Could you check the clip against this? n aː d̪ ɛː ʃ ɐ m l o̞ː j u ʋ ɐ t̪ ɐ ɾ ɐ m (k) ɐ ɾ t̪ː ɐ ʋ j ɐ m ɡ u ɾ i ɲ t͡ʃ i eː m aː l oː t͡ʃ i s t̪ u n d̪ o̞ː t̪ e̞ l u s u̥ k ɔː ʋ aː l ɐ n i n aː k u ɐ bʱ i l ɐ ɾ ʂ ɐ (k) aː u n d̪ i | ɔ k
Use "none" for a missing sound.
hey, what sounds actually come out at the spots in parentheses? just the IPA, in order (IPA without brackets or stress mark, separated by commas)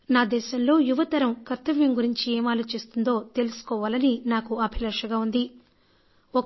k, ɡ